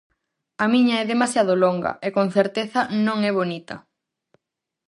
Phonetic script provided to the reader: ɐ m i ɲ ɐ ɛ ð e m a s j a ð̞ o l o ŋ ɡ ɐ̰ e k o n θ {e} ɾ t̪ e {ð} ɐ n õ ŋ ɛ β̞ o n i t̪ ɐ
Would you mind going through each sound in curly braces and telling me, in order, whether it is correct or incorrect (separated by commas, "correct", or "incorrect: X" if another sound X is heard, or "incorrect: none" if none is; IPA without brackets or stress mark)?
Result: correct, incorrect: θ